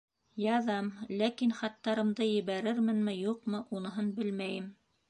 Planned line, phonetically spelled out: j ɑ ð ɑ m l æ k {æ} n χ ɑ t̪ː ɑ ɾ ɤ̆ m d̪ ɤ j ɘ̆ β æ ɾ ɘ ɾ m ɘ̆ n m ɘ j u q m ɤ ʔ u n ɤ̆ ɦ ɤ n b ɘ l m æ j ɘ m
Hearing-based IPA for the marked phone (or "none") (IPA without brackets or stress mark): i